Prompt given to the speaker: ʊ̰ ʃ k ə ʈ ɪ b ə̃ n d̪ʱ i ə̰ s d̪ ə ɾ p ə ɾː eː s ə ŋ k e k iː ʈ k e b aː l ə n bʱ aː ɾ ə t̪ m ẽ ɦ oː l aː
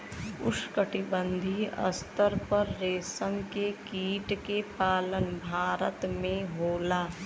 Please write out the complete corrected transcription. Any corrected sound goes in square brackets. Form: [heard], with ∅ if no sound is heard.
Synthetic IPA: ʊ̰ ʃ k ə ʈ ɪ b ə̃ n d̪ʱ i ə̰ s [t̪] ə ɾ p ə ɾː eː s ə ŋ k e k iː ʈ k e [p] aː l ə n bʱ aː ɾ ə t̪ m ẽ ɦ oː l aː